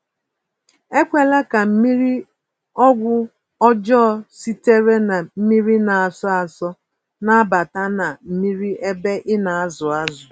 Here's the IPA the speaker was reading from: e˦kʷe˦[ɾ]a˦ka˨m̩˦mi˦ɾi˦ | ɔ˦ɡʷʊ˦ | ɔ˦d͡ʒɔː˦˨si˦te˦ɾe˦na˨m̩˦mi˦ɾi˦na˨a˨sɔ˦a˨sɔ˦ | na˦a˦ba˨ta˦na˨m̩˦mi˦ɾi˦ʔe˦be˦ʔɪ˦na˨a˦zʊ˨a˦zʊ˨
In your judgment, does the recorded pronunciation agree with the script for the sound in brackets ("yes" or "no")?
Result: no